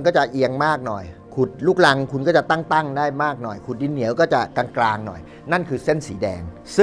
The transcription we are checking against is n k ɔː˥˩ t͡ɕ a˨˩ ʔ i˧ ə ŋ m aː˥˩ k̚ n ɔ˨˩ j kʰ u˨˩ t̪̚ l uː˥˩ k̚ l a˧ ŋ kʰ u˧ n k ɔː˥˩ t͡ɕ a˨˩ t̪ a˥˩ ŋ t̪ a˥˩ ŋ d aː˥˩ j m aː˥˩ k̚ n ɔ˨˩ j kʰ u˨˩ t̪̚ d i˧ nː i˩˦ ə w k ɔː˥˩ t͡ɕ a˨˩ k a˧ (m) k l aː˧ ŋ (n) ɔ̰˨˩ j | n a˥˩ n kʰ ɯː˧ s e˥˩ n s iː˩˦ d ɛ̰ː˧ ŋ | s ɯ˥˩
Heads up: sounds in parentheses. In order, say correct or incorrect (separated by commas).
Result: incorrect, correct